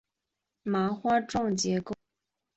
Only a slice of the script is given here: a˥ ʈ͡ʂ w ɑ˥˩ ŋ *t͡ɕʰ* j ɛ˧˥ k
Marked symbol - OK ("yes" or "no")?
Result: no